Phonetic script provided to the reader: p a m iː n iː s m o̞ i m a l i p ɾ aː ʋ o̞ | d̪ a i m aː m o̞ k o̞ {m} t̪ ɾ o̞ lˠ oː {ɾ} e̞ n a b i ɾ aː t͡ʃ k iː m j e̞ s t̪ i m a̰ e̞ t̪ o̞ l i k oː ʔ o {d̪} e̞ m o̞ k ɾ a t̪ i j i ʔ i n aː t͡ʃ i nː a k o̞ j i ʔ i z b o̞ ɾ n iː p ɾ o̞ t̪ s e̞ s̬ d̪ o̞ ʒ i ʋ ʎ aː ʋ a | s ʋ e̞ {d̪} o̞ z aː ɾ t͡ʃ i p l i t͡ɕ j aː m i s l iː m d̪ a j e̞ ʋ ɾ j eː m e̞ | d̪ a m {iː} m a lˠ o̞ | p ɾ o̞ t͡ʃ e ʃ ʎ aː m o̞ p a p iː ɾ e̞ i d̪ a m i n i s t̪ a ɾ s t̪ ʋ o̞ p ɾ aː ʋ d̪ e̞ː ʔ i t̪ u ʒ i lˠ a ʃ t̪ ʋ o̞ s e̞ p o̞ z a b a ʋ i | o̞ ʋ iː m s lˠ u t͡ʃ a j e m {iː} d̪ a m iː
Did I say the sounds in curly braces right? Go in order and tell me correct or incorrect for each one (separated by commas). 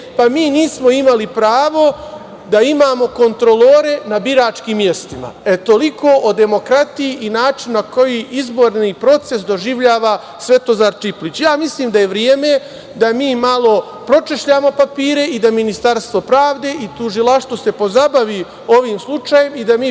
incorrect, correct, correct, incorrect, correct, incorrect